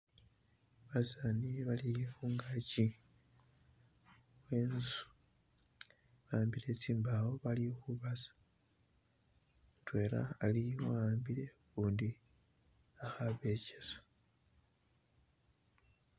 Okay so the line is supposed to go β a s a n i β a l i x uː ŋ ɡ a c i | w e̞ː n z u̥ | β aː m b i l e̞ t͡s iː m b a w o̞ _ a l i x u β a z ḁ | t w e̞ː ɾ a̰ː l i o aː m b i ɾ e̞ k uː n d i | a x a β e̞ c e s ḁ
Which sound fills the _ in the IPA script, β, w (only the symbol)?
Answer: β